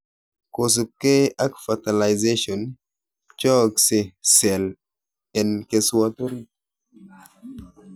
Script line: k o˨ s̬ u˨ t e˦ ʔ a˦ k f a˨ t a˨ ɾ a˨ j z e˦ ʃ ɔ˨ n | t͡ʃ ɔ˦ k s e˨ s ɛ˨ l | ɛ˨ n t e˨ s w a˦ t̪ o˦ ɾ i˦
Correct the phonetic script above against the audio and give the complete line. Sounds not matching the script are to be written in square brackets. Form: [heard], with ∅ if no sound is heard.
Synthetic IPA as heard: k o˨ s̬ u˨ [k] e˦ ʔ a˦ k f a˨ t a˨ [l] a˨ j z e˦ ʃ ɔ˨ n | t͡ʃ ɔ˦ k s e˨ s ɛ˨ l | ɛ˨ n [k] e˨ s w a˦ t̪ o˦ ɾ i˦